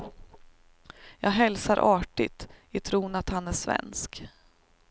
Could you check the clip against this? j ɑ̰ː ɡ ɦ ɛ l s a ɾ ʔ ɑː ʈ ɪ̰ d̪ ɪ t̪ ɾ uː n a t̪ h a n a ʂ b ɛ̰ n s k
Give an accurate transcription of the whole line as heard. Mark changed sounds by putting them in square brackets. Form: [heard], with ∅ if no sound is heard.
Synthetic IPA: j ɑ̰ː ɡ ɦ ɛ l s a ɾ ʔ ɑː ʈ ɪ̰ [t̪] ɪ [t̪ʰ] ɾ uː n a t̪ h a n [æ] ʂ [v] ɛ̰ n s k